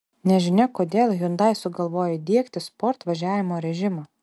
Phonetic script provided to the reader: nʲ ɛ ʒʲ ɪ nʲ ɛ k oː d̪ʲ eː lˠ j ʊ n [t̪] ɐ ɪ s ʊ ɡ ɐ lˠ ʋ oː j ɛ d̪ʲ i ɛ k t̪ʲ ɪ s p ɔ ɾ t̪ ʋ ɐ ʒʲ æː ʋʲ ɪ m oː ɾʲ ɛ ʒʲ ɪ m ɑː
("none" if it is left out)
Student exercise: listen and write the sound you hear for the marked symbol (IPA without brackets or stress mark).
d̪